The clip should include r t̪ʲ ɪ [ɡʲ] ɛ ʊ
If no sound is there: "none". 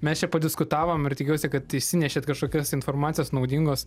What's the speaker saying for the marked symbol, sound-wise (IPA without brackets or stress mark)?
kʲ